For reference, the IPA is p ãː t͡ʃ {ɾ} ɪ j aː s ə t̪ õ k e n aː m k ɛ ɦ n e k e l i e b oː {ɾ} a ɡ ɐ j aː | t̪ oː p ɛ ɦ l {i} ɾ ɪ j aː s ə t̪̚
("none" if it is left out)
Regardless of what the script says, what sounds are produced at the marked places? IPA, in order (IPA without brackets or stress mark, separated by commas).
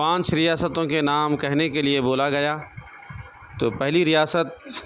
ɾ, l, i